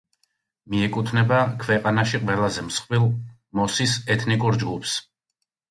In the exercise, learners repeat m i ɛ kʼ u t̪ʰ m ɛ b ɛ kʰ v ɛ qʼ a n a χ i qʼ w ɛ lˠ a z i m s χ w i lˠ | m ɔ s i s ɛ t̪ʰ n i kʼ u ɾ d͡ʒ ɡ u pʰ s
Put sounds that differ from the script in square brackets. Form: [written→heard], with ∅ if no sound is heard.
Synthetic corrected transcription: m i ɛ kʼ u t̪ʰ [m→n] ɛ b [ɛ→a] kʰ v ɛ qʼ a n a [χ→ʃ] i qʼ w ɛ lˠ a z [i→ɛ] m s χ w i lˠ | m ɔ s i s ɛ t̪ʰ n i kʼ u ɾ d͡ʒ ɡ u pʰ s